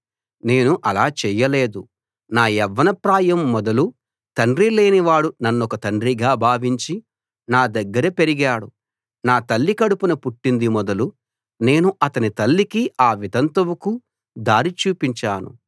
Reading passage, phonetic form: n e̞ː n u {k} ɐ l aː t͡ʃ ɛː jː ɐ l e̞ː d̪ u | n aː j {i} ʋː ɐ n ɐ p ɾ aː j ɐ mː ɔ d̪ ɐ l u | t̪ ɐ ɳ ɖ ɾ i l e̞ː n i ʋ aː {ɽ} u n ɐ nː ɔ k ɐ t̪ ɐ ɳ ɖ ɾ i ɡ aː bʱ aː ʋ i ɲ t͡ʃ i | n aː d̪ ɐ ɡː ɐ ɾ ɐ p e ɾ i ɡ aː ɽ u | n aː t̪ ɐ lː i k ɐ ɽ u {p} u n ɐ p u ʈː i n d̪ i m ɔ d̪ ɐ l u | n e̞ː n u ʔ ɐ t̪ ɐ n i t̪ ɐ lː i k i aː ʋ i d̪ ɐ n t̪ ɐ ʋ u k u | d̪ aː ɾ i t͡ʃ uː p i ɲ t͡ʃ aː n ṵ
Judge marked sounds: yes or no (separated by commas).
no, no, yes, yes